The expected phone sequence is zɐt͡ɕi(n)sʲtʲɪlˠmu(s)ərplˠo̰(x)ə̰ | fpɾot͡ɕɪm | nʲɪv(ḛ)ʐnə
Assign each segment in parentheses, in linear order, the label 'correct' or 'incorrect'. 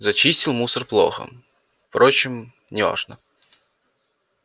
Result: incorrect, correct, correct, incorrect

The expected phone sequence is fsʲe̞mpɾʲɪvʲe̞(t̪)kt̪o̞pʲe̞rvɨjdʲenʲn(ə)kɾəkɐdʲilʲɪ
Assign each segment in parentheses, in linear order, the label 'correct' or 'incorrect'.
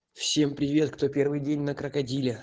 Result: correct, correct

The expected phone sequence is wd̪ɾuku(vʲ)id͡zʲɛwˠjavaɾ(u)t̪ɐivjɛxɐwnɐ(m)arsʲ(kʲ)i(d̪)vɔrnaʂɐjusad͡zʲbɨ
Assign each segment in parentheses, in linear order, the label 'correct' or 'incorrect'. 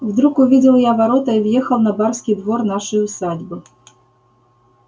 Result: correct, incorrect, incorrect, correct, correct

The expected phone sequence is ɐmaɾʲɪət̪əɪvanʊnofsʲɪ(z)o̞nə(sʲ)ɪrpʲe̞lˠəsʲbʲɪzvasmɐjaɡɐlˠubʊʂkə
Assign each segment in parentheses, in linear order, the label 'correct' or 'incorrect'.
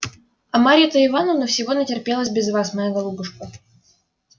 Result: incorrect, incorrect

